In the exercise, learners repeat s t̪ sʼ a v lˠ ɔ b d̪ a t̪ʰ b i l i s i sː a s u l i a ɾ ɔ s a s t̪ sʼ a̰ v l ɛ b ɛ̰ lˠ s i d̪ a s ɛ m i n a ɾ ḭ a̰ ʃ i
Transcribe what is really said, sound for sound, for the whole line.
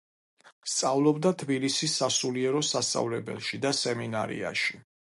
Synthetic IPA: s t̪ sʼ a v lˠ ɔ b d̪ a t̪ʰ b i l i s i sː a s u l i ɛ ɾ ɔ s a s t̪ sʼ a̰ v l ɛ b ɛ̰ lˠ ʃ i d̪ a s ɛ m i n a ɾ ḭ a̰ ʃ i